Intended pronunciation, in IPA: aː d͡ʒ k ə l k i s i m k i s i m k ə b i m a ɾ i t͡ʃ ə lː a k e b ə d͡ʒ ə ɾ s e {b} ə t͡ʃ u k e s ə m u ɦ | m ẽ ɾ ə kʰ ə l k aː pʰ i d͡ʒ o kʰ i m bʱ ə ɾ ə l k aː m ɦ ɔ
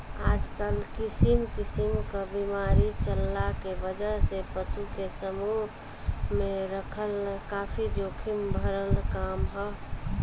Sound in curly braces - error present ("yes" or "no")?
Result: yes